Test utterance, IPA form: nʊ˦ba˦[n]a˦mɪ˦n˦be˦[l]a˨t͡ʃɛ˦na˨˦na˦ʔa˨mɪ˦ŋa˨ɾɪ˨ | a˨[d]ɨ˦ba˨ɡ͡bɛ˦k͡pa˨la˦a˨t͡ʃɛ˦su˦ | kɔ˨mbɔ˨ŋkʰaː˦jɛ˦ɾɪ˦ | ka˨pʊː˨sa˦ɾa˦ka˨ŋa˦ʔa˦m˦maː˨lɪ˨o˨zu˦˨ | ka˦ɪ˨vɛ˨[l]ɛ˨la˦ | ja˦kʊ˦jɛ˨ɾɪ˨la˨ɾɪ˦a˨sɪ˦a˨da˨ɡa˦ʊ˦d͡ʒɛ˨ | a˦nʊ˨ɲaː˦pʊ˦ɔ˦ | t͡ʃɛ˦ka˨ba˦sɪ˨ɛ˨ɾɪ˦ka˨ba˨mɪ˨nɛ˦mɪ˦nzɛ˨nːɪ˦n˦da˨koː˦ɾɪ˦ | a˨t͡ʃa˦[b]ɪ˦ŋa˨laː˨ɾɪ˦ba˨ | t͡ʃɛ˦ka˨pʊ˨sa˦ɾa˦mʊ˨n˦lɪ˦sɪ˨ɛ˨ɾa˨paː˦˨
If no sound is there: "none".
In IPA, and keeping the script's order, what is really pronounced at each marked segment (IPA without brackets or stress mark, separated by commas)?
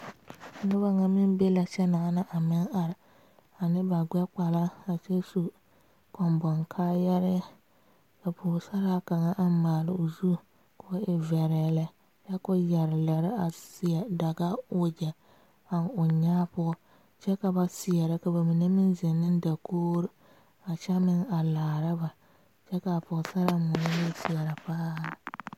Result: ŋ, l, n, ɾ, m